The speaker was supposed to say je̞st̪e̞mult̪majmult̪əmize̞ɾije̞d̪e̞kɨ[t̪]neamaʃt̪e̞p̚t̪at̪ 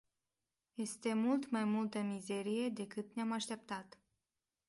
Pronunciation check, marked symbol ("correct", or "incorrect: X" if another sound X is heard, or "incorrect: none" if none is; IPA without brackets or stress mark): correct